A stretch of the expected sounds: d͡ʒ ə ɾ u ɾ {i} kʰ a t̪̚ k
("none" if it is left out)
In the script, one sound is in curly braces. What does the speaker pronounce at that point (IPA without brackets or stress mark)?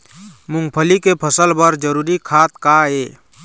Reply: i